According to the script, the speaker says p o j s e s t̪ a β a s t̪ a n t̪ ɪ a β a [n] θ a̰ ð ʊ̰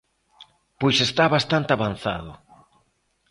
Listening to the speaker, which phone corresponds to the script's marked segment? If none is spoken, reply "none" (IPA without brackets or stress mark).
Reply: n